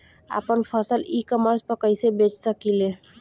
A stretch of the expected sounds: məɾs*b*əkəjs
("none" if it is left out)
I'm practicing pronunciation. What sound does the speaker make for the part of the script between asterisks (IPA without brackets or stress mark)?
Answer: p